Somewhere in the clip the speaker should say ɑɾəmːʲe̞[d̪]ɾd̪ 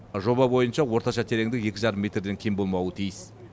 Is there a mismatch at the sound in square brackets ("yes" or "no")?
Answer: yes